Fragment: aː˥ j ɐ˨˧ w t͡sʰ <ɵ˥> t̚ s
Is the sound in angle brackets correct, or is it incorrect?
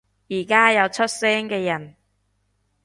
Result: correct